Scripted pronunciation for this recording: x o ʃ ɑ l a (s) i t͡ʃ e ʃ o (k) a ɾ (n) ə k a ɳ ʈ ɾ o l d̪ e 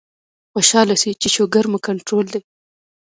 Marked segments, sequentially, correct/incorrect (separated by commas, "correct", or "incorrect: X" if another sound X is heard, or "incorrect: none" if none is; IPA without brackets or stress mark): correct, incorrect: ɡ, incorrect: m